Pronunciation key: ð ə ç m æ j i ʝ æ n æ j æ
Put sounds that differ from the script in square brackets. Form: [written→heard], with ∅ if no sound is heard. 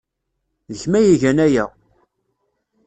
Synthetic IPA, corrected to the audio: ð ə ç m æ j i ʝ æ n æ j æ